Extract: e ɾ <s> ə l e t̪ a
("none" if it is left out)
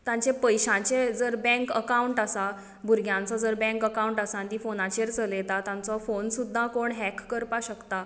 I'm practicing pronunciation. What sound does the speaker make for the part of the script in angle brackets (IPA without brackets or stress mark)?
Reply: t͡s